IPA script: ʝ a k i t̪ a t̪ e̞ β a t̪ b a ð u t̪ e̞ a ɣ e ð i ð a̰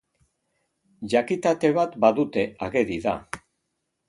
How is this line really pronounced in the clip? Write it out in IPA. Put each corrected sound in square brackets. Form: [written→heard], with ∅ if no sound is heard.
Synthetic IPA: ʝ a k i t̪ a t̪ e̞ β a t̪ b a ð u t̪ e̞ a ɣ e ð i ð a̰